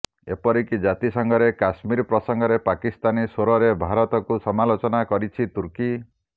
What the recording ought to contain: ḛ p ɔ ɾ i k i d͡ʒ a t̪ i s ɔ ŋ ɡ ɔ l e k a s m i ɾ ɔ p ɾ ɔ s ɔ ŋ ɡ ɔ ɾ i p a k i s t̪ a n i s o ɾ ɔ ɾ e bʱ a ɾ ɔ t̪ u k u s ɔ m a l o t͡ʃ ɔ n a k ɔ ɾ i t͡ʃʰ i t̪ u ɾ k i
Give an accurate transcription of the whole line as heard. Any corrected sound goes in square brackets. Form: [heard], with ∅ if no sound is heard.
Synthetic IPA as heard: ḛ p ɔ ɾ i k i d͡ʒ a t̪ i s ɔ ŋ ɡ ɔ [ɾ] e k a s m i ɾ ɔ p ɾ ɔ s ɔ ŋ ɡ ɔ ɾ [e] p a k i s t̪ a n i s o ɾ ɔ ɾ e bʱ a ɾ ɔ t̪ [ɔ] k u s ɔ m a l o t͡ʃ ɔ n a k ɔ ɾ i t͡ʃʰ i t̪ u ɾ k i

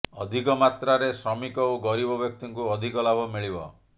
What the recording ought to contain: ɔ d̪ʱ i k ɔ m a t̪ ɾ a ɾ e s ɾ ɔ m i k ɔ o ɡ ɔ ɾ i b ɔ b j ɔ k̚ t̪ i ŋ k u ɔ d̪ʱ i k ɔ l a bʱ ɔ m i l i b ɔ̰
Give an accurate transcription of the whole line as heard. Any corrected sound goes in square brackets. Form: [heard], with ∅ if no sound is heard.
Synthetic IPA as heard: ɔ d̪ʱ i k ɔ m a t̪ ɾ a ɾ e s ɾ ɔ m i k ɔ o ɡ ɔ ɾ i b ɔ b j ɔ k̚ t̪ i ŋ k u ɔ d̪ʱ i k ɔ l a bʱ ɔ m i [ɭ] i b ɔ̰

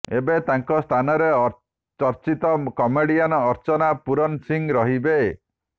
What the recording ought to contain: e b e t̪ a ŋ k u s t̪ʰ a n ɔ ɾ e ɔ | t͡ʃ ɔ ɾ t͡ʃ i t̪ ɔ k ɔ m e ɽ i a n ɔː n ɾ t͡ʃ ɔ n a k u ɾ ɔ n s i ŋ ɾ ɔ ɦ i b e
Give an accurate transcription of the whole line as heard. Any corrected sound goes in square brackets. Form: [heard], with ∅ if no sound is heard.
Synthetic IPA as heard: e b e t̪ a ŋ k [ɔ] s t̪ʰ a n ɔ ɾ e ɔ | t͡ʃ ɔ ɾ t͡ʃ i t̪ ɔ k ɔ m e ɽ i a n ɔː [∅] ɾ t͡ʃ ɔ n a [p] u ɾ ɔ n s i ŋ ɾ ɔ ɦ i b e

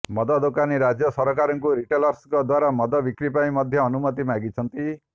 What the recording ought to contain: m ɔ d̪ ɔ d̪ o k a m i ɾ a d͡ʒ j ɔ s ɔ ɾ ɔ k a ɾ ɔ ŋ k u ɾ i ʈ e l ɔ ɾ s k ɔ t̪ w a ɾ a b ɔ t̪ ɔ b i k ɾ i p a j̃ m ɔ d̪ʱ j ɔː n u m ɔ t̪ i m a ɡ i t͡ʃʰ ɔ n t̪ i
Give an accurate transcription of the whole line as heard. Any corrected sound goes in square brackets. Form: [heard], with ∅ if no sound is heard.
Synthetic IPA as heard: m ɔ d̪ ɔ d̪ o k a [n] i ɾ a d͡ʒ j ɔ s ɔ ɾ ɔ k a ɾ ɔ ŋ k u ɾ i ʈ e l ɔ ɾ s k ɔ [d̪] w a ɾ a [m] ɔ [d̪] ɔ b i k ɾ i p a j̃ m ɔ d̪ʱ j ɔː n u m ɔ t̪ i m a ɡ i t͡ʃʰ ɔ n t̪ i

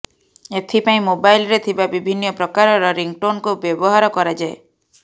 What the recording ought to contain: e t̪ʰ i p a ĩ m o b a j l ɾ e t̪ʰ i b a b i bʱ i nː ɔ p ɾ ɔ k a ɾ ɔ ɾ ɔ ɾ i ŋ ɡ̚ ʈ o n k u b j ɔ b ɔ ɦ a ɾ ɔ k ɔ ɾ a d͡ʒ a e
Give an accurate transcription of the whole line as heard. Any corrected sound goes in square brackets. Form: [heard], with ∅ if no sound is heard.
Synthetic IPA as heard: e t̪ʰ i p a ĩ m o b a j l ɾ e t̪ʰ i b a b i bʱ i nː ɔ p ɾ ɔ k a ɾ ɔ ɾ ɔ ɾ i ŋ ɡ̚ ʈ o n k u b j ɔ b ɔ ɦ a ɾ ɔ k ɔ ɾ a d͡ʒ a e

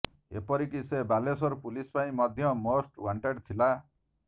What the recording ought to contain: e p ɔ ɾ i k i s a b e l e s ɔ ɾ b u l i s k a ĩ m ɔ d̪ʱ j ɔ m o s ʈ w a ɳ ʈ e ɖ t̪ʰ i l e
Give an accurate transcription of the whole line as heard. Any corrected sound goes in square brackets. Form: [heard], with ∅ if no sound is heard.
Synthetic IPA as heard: e p ɔ ɾ i k i s [e] b [a] l e s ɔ ɾ [p] u l i s [p] a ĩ m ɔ d̪ʱ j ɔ m o s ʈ w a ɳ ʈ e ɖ t̪ʰ i l [a]

